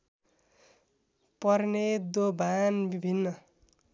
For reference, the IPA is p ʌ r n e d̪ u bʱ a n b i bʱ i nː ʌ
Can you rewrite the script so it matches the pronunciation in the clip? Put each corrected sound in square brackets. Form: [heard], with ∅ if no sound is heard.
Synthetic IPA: p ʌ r n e d̪ [o] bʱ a n b i bʱ i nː ʌ